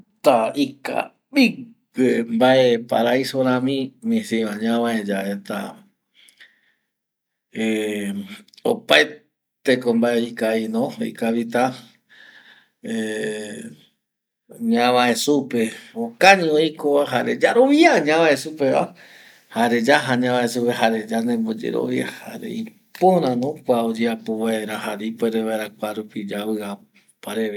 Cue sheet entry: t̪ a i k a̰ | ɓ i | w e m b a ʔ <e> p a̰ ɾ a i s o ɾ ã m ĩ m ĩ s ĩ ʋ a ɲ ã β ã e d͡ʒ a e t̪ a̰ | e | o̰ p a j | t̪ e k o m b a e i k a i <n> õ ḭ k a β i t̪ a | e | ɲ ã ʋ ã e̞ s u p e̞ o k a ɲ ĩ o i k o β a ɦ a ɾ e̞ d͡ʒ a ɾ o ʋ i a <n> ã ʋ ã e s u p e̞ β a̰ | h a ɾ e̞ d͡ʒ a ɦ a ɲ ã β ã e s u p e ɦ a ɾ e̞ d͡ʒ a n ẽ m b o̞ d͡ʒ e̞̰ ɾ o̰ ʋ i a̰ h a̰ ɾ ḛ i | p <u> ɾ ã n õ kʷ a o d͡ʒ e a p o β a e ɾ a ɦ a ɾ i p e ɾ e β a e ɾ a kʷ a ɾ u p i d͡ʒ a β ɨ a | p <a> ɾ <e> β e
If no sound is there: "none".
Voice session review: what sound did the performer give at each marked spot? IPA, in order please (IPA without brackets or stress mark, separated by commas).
e, n, ɲ, o, a, e